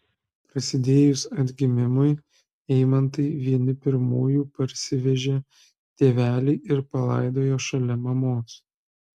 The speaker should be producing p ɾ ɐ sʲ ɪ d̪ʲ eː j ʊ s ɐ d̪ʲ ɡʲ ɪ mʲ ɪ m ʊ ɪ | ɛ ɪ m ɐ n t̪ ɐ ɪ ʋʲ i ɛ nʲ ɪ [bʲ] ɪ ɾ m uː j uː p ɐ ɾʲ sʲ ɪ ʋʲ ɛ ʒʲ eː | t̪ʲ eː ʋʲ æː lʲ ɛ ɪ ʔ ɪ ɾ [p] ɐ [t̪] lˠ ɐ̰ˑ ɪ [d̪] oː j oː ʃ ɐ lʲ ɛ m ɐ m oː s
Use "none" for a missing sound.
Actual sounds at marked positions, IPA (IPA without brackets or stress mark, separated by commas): pʲ, p, none, d̪